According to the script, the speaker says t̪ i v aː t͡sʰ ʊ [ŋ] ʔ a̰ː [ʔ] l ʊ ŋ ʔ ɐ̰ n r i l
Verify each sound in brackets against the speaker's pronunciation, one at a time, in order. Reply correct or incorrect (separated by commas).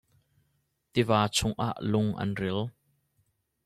correct, correct